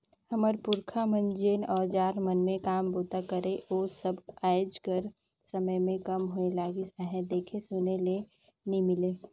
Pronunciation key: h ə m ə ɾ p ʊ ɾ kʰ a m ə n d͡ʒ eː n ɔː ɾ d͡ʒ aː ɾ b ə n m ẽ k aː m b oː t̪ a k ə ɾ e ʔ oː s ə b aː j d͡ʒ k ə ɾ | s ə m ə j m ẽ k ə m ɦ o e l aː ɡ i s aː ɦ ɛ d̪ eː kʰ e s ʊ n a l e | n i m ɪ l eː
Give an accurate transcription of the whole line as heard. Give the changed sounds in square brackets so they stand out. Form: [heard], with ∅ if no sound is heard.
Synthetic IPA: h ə m ə ɾ p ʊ ɾ kʰ a m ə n d͡ʒ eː n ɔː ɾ d͡ʒ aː ɾ [m] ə n m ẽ k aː m b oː t̪ a k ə ɾ e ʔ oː s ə b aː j d͡ʒ k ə ɾ | s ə m ə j m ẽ k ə m ɦ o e l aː ɡ i s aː ɦ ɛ d̪ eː kʰ e s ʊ n [e] l e | n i m ɪ l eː